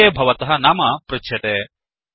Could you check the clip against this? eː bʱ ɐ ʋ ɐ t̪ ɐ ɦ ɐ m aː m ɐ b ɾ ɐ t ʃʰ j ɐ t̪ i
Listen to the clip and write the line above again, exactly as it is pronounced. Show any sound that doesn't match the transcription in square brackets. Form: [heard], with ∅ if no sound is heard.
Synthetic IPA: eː bʱ ɐ ʋ ɐ t̪ ɐ ɦ ɐ [n] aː m ɐ [p] ɾ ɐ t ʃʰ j ɐ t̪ [e]